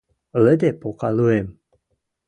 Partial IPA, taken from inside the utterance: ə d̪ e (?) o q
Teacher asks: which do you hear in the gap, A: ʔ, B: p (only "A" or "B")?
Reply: B